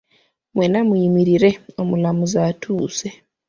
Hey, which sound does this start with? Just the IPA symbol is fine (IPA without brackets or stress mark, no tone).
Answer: m